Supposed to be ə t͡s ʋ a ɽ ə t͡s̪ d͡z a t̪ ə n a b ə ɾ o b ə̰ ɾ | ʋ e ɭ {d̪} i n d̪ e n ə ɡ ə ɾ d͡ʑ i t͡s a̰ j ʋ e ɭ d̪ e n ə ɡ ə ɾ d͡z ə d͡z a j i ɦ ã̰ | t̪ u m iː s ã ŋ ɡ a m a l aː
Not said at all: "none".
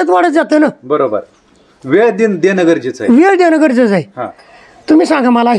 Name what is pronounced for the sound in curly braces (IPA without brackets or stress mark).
d̪